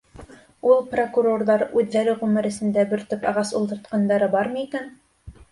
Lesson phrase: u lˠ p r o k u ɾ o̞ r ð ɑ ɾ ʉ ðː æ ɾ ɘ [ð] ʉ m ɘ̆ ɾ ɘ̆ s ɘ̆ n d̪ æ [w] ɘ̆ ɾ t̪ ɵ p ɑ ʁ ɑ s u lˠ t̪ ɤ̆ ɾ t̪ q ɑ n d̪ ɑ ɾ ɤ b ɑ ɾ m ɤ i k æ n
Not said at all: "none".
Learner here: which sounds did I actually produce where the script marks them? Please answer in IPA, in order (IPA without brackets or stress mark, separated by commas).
ʁ, b